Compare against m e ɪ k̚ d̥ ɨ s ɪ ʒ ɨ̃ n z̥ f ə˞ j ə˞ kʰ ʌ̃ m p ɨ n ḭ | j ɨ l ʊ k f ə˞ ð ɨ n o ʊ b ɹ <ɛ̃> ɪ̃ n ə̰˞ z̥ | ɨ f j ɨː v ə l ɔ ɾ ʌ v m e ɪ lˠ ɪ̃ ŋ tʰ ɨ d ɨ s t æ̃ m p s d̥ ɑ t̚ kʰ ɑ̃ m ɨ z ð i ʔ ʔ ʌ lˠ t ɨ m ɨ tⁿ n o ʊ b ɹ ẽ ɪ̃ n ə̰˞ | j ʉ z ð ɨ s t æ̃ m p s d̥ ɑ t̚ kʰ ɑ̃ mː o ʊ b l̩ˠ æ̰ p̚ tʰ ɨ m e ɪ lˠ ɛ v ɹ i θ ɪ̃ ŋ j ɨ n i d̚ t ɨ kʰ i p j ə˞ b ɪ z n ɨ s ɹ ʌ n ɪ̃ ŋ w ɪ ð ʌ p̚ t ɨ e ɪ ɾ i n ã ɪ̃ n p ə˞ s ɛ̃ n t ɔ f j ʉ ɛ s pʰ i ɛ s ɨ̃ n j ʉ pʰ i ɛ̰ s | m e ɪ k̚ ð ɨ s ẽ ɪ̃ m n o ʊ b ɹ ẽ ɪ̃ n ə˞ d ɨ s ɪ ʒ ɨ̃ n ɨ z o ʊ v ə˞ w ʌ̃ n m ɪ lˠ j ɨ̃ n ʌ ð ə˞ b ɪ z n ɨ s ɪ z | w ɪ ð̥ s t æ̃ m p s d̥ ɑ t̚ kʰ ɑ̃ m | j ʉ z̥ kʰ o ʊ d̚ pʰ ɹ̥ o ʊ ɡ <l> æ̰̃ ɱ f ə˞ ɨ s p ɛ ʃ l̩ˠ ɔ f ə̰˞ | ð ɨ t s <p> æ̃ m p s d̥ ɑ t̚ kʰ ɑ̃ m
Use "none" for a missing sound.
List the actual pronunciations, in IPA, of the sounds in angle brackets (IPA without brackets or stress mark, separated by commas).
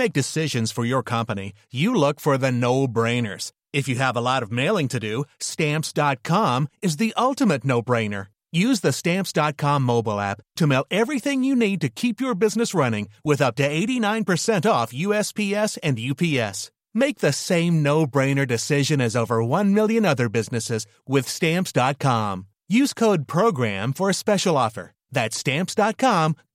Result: ẽ, ɹ, t